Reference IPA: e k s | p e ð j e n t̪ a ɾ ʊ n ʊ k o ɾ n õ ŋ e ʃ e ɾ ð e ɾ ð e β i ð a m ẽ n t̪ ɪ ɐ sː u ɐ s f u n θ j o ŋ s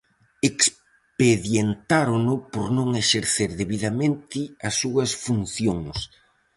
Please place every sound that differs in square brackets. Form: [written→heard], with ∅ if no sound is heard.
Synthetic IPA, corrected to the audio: e k s | p e ð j e n t̪ a ɾ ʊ n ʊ [k→p] o ɾ n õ ŋ e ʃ e ɾ [ð→θ] e ɾ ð e β i ð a m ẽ n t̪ ɪ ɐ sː u ɐ s f u n θ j o ŋ s